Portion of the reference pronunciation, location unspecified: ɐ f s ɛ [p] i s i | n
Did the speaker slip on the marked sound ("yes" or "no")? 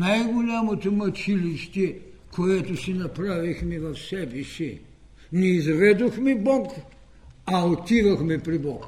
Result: yes